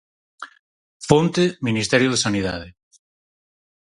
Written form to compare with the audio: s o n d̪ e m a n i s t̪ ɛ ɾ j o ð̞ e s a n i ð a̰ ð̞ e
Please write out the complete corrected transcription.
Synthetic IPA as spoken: f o n t̪ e m i n i s t̪ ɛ ɾ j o ð̞ e s a n i ð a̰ ð̞ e